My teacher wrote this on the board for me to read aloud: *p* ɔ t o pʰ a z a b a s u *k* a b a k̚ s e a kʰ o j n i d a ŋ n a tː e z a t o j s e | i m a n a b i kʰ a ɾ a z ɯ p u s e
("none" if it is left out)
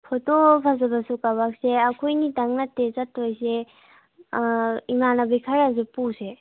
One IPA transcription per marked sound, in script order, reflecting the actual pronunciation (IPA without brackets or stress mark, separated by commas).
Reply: pʰ, k